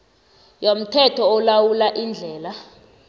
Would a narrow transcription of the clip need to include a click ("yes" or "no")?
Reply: no